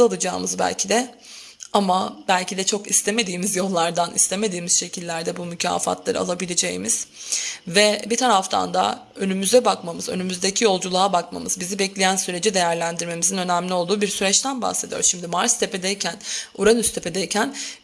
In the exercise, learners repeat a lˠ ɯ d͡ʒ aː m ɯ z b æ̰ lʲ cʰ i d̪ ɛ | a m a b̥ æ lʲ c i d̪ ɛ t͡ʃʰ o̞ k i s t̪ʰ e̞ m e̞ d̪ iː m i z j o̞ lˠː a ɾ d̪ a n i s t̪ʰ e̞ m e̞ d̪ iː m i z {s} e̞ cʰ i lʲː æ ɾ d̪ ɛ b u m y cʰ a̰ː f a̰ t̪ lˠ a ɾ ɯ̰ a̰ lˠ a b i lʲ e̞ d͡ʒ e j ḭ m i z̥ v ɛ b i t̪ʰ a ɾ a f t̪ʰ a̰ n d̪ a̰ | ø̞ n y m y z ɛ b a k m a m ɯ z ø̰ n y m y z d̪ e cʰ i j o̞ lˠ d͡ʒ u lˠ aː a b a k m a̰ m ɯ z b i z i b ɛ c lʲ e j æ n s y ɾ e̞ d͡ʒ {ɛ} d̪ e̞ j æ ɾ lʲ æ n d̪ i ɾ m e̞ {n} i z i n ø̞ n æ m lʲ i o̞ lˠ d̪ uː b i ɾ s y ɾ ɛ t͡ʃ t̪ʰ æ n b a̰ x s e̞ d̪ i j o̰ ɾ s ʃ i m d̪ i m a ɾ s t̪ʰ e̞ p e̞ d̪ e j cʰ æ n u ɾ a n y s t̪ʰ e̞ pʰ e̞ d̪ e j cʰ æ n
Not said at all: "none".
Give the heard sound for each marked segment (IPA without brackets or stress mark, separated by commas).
ʃ, i, m